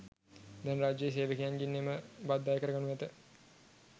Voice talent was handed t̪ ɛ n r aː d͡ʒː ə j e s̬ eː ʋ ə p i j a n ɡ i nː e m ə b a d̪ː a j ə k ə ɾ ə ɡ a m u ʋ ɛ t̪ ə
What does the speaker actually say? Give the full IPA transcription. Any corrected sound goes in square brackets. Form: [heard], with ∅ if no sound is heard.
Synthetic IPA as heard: [d̪] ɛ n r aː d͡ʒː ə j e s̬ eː ʋ ə [k] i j a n ɡ i nː e m ə b a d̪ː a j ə k ə ɾ ə ɡ a [n] u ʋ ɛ t̪ ə